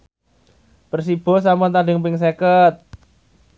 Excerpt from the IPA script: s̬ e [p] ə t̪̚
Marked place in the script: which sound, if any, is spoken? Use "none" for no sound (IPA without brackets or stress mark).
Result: k